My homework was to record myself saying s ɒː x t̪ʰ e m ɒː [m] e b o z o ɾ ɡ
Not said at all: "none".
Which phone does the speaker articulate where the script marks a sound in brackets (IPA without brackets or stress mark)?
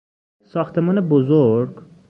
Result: n